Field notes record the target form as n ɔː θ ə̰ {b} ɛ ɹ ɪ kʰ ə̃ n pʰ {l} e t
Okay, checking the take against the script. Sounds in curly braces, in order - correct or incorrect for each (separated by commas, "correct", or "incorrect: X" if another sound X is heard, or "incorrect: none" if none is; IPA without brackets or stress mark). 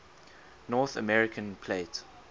incorrect: m, correct